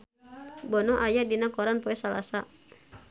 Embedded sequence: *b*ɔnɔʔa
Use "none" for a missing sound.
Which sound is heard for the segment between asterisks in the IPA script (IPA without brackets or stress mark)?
b